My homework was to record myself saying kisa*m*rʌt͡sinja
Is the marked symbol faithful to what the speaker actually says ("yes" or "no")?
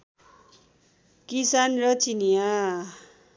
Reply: no